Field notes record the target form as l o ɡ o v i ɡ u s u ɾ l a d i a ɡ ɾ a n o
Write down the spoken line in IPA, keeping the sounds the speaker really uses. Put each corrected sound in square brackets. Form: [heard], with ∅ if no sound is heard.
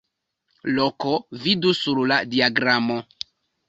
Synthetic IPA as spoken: l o [k] o v i [d] u s u ɾ l a d i a ɡ ɾ a [m] o